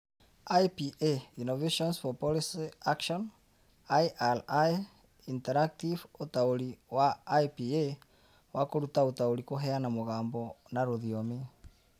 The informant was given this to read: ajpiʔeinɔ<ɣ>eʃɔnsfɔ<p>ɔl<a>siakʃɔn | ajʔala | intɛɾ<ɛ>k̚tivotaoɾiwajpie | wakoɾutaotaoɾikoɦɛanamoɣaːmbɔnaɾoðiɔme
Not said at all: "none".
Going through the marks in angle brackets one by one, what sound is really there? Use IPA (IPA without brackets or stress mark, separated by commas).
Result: v, p, i, a